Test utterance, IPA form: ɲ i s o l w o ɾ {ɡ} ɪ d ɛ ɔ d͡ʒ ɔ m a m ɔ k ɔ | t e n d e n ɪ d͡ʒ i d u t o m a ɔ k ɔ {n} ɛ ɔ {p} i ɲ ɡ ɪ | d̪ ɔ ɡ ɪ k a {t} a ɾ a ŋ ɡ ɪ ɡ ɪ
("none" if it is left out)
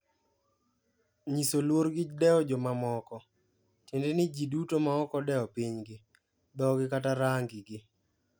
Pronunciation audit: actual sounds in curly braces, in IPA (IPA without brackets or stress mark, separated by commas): ɡ, d, p, t